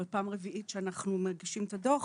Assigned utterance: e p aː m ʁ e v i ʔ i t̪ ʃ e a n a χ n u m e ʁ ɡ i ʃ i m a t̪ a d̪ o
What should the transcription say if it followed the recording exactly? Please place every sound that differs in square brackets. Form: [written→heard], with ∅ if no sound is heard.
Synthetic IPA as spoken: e p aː m ʁ e v i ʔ i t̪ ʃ e a n a χ n u m e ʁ ɡ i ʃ i m [a→e] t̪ a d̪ o

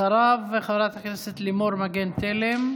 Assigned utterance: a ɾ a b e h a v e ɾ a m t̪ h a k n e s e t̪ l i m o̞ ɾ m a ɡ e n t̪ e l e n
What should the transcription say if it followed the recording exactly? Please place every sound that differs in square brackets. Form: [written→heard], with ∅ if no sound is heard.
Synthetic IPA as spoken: a ɾ a [b→v] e [h→χ] a v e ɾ a [m→∅] t̪ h a k n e s e t̪ l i m o̞ ɾ m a ɡ e n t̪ e l e [n→m]

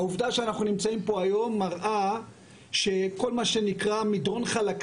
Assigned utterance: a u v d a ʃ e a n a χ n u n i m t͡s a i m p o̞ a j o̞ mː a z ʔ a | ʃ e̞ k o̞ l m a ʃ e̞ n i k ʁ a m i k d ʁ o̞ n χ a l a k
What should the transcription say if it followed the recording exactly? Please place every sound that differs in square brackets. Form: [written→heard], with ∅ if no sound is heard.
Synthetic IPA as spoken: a u v d a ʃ e a n a χ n u n i m t͡s a i m p o̞ a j o̞ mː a [z→ʁ] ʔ a | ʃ e̞ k o̞ l m a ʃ e̞ n i k ʁ a m i [k→∅] d ʁ o̞ n χ a l a k

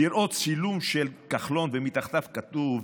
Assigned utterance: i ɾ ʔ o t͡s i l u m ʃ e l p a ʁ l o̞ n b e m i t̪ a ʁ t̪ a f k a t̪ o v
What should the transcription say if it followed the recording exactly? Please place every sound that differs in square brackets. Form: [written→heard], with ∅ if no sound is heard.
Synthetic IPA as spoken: i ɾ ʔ o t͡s i l u m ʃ e l [p→k] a [ʁ→χ] l o̞ n [b→v] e m i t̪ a [ʁ→χ] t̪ a f k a t̪ [o→u] v

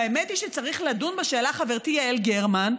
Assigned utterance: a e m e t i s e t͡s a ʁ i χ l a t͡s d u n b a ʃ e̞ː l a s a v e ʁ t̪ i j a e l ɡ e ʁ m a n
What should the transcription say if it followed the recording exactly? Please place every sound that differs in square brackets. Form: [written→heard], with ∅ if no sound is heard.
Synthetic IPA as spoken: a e m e t i [s→ʃ] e t͡s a ʁ i χ l a [t͡s→∅] d u n b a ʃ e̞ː l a [s→χ] a v e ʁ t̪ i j a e l ɡ e ʁ m a n

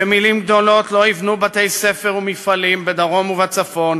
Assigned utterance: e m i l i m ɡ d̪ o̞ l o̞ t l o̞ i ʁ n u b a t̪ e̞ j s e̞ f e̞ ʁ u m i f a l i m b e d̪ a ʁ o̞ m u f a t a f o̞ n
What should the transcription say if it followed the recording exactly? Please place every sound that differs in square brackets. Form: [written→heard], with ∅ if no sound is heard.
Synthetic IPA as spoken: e m i l i m ɡ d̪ o̞ l o̞ t l o̞ i [ʁ→v] n u b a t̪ e̞ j s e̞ f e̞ ʁ u m i f a l i m b e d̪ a ʁ o̞ m u [f→v] a [t→t͡s] a f o̞ n

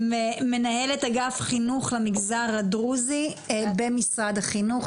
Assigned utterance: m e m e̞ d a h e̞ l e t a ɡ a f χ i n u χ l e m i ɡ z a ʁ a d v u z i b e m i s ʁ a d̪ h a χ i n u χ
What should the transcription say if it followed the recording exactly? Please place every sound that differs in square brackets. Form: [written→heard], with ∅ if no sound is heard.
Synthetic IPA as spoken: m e m e̞ [d→n] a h e̞ l e t a ɡ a f χ i n u χ l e m i ɡ z a ʁ a d [v→ʁ] u z i b e m i s ʁ a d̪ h a χ i n u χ

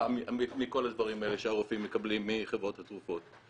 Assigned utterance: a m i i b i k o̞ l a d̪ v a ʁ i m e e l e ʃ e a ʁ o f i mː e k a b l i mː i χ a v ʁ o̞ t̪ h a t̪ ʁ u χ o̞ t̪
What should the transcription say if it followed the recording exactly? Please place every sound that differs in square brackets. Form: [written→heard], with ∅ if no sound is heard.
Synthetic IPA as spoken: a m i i [b→m] i k o̞ l a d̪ v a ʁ i m [e→a] e l e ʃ e a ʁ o f i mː e k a b l i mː i χ [a→e] v ʁ o̞ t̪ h a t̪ ʁ u [χ→f] o̞ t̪

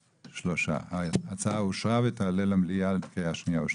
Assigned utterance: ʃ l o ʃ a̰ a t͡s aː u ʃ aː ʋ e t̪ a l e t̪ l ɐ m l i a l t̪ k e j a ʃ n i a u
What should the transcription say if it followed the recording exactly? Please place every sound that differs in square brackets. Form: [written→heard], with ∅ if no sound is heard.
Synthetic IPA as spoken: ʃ l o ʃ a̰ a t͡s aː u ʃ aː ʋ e t̪ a l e [t̪→∅] l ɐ m l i a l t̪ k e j a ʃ n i a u

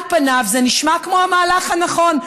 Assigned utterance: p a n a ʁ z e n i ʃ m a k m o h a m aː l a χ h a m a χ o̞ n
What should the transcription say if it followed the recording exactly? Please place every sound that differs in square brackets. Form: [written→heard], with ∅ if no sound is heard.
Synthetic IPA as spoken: p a n a [ʁ→v] z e n i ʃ m a k m o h a m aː l a χ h a [m→n] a χ o̞ n

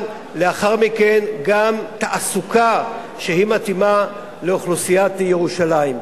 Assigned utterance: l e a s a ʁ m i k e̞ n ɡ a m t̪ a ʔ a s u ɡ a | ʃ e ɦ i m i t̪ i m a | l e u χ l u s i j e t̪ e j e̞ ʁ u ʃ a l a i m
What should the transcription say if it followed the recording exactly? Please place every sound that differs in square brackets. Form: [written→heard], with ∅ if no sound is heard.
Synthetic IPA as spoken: l e a [s→χ] a ʁ m i k e̞ n ɡ a m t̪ a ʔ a s u [ɡ→k] a | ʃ e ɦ i m [i→a] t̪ i m a | l e [u→o] χ l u s i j [e→a] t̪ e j e̞ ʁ u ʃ a l a i m

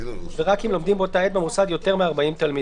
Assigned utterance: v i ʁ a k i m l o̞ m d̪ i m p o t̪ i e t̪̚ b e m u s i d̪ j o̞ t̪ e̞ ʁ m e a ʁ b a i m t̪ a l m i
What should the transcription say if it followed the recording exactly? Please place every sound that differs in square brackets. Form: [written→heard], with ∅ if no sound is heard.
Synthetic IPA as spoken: v [i→e] ʁ a k i m l o̞ m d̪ i m [p→b] o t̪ [i→a] e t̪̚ b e m u s [i→a] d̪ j o̞ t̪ e̞ ʁ m e a ʁ b a i m t̪ a l m i

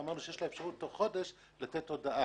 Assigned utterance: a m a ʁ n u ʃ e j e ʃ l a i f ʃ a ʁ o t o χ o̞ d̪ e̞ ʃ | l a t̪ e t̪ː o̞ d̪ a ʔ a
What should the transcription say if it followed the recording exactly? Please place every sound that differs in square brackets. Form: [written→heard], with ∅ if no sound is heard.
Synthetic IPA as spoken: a m a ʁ n u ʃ e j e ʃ l a [i→e] f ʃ a ʁ [o→u] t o χ o̞ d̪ e̞ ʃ | l a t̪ e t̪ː o̞ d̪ a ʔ a

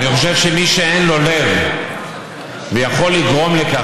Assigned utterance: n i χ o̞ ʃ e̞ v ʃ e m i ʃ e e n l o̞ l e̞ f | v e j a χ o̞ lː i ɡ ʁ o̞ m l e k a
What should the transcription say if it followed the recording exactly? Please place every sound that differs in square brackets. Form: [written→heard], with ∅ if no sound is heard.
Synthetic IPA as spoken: n i χ o̞ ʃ e̞ v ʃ e m i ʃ e e n l o̞ l e̞ [f→v] | v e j a χ o̞ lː i ɡ ʁ o̞ m l e k a

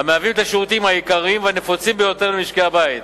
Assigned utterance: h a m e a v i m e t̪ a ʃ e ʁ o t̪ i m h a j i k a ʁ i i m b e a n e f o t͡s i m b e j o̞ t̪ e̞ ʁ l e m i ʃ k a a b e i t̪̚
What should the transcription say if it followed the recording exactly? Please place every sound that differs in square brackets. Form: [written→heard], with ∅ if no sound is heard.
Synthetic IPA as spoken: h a m e a v i m e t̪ a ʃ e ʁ [o→u] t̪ i m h a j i k a ʁ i i m [b→v] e a n e f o t͡s i m b e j o̞ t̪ e̞ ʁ l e m i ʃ k [a→e] a b [e→a] i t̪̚

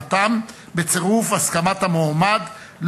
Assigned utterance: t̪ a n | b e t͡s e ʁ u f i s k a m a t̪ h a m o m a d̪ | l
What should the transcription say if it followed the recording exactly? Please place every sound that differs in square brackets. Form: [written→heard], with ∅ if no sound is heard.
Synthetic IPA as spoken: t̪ a [n→m] | b e t͡s e ʁ u f [i→a] s k a m a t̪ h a m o m a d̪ | l

